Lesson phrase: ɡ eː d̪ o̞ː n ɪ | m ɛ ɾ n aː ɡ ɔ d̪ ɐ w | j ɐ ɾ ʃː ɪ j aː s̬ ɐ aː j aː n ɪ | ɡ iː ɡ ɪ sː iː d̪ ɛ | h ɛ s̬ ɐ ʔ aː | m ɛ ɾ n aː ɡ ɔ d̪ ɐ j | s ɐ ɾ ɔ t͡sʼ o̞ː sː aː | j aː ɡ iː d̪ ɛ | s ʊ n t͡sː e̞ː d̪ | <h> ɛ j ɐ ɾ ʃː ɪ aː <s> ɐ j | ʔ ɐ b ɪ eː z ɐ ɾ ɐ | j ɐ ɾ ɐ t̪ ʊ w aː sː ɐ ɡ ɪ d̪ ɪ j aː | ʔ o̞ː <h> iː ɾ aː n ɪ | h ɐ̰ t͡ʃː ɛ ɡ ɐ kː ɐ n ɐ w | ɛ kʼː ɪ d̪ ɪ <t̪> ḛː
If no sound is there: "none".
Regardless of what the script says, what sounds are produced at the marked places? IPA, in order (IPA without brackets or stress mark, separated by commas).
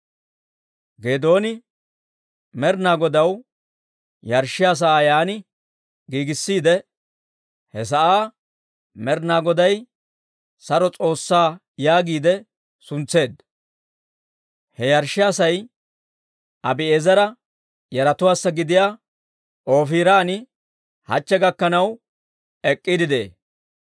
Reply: h, s, f, d̪